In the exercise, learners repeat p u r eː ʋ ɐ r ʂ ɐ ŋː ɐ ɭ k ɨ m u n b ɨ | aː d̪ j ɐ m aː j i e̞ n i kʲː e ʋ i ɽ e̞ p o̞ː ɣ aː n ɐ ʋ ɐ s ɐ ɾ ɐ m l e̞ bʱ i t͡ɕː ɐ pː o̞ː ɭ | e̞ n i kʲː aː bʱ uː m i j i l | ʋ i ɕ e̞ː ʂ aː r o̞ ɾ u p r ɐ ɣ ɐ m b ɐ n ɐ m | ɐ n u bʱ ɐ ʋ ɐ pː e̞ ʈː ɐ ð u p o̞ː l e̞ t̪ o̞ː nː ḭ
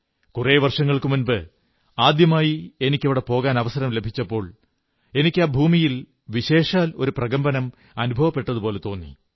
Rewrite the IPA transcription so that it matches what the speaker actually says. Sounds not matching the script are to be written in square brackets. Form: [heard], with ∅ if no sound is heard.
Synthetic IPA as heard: [k] u r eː ʋ ɐ r ʂ ɐ ŋː ɐ ɭ k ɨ m u n b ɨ | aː d̪ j ɐ m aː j i e̞ n i kʲː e ʋ i ɽ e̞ p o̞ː ɣ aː n ɐ ʋ ɐ s ɐ ɾ ɐ m l e̞ bʱ i t͡ɕː ɐ pː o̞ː ɭ | e̞ n i kʲː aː bʱ uː m i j i l | ʋ i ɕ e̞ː ʂ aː [l] o̞ ɾ u p r ɐ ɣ ɐ m b ɐ n ɐ m | ɐ n u bʱ ɐ ʋ ɐ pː e̞ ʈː ɐ ð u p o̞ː l e̞ t̪ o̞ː nː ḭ

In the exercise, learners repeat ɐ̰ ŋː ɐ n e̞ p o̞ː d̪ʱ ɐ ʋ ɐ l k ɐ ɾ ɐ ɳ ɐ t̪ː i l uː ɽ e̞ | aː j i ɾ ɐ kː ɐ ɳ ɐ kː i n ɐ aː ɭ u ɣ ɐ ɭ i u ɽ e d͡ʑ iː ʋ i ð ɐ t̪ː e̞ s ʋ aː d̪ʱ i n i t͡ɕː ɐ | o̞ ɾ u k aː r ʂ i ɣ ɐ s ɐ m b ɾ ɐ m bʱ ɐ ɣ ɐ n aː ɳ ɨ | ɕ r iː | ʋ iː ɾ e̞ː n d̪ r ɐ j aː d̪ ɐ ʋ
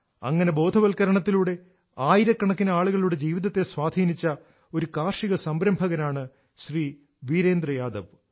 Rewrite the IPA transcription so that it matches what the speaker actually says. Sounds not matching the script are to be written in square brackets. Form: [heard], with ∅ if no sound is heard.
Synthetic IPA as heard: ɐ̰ ŋː ɐ n e̞ [b] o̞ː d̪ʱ ɐ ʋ ɐ l k ɐ ɾ ɐ ɳ ɐ t̪ː i l uː ɽ e̞ | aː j i ɾ ɐ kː ɐ ɳ ɐ kː i n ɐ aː ɭ u ɣ ɐ ɭ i u ɽ e d͡ʑ iː ʋ i ð ɐ t̪ː e̞ s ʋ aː d̪ʱ [iː] n i t͡ɕː ɐ | o̞ ɾ u k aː r ʂ i ɣ ɐ s ɐ m b ɾ ɐ m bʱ ɐ ɣ ɐ n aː ɳ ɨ | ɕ r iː | ʋ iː ɾ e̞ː n d̪ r ɐ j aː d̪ ɐ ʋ

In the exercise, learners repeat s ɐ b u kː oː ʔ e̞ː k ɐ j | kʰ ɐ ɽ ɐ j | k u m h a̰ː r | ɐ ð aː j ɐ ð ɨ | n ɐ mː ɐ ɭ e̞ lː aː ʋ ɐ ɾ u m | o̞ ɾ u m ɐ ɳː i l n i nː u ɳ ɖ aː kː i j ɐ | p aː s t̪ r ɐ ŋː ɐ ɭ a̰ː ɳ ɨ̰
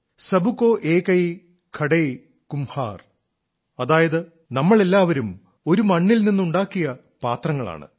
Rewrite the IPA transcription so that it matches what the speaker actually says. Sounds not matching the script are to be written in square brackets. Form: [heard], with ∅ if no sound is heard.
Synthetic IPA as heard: s ɐ b u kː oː ʔ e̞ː k ɐ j | kʰ ɐ ɽ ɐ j | k u m h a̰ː r | ɐ ð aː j ɐ ð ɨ | n ɐ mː ɐ ɭ e̞ lː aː ʋ ɐ ɾ u m | o̞ ɾ u m ɐ ɳː i l n i nː u ɳ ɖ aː kː i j ɐ | p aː [∅] t̪ r ɐ ŋː ɐ ɭ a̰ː ɳ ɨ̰

